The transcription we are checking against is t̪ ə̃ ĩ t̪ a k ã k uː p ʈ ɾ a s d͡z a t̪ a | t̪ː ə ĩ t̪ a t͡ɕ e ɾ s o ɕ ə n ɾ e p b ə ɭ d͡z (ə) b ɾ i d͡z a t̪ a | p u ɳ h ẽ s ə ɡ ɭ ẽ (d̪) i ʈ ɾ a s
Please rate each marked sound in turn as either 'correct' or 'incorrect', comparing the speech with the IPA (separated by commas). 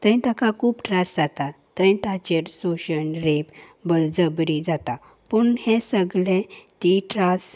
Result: correct, incorrect